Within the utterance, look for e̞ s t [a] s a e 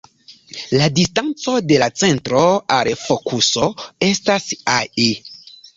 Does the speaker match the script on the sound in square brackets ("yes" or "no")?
yes